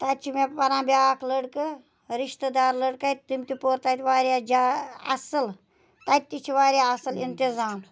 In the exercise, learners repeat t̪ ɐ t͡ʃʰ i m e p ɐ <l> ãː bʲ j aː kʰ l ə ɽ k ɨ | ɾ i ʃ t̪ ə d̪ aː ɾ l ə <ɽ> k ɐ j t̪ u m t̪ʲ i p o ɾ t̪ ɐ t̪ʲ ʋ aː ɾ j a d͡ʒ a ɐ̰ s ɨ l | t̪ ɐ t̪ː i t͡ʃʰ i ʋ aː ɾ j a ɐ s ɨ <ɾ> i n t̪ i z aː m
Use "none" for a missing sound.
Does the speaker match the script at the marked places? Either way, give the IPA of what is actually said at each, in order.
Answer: ɾ, ɽ, l

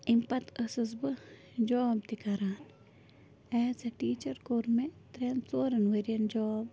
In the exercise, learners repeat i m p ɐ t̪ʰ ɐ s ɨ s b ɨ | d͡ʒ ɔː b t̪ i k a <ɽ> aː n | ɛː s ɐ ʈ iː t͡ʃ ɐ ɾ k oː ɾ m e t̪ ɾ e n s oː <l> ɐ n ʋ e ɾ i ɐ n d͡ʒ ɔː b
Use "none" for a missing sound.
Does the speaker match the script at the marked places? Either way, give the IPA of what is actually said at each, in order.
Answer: ɾ, ɾ

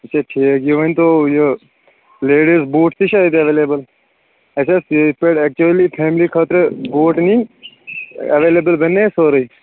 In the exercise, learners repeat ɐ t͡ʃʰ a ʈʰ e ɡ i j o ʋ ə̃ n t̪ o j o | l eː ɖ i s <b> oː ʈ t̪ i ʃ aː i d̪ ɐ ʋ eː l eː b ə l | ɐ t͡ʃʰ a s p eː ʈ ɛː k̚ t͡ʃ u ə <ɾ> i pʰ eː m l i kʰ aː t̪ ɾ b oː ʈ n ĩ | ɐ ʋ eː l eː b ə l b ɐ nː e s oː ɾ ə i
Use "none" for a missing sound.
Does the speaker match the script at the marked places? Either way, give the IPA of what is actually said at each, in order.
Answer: b, l

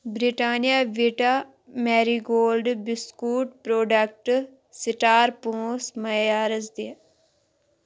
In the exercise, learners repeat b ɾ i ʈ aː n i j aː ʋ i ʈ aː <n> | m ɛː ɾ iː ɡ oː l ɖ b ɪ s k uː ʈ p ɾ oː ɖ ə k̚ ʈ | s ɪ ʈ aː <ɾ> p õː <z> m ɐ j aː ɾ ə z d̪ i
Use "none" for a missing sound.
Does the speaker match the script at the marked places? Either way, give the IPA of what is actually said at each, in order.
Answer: none, ɾ, s

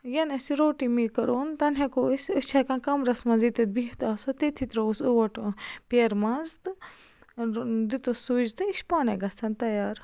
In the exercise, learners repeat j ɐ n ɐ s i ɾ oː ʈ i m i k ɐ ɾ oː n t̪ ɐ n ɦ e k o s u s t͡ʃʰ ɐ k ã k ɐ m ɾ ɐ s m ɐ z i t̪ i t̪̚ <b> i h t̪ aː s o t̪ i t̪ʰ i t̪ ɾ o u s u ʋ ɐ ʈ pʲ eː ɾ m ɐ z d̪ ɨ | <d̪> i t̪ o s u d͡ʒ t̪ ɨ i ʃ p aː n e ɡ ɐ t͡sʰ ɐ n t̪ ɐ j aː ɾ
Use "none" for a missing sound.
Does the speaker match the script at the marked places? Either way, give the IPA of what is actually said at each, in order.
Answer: b, d̪

